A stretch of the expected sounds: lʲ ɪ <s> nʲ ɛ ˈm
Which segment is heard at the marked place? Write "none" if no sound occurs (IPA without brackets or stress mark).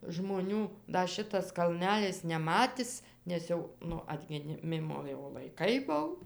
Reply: s